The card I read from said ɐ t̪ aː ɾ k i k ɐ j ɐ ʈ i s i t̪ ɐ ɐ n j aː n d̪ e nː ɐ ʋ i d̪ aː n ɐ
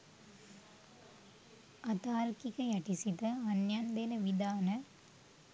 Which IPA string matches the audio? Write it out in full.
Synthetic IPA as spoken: ɐ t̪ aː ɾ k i k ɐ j ɐ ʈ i s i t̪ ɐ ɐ n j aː n d̪ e n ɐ ʋ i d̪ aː n ɐ